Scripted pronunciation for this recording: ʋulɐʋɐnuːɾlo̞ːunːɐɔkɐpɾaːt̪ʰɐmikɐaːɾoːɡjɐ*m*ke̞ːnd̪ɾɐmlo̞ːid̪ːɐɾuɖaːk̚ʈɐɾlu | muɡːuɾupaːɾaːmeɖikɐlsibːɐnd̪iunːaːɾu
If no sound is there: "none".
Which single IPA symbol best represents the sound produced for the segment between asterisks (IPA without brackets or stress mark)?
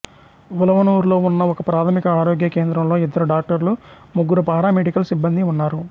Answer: none